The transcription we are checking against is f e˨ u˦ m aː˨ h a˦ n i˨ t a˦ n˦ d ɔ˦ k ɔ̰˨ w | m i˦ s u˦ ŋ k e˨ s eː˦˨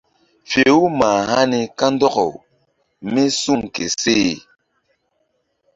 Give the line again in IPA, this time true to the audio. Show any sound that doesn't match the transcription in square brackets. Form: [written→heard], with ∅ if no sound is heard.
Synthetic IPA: f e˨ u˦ m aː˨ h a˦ n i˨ [t→k] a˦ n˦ d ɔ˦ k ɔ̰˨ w | m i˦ s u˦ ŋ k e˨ s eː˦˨